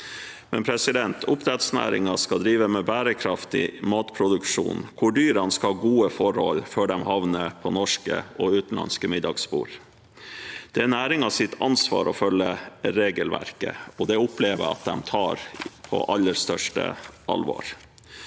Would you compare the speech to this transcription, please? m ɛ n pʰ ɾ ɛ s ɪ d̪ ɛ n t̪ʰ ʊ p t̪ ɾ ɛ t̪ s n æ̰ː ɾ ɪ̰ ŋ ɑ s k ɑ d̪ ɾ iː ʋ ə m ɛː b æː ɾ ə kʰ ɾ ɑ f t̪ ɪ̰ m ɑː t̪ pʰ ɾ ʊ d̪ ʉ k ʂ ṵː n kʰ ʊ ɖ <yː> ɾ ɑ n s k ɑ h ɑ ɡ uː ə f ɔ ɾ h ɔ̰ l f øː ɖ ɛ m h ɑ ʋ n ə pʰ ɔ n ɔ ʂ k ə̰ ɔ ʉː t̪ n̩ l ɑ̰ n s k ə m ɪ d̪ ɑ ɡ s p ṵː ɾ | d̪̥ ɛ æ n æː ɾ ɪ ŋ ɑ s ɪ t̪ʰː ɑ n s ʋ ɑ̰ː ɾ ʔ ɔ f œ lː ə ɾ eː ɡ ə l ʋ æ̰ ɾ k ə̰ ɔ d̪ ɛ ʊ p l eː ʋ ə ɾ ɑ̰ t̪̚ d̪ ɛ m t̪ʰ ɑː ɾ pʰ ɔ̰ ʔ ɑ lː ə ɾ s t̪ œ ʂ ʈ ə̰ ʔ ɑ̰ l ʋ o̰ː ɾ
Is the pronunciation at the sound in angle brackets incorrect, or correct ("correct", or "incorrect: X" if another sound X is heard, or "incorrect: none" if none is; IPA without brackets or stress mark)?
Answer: correct